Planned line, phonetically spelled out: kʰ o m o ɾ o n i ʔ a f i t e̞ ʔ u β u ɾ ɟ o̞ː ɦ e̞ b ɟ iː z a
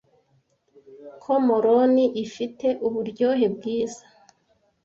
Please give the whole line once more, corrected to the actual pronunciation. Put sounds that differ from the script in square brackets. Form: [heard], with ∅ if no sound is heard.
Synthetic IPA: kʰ o m o ɾ o n i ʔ [i] f i t e̞ ʔ u β u ɾ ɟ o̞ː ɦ e̞ b [ɡ] iː z a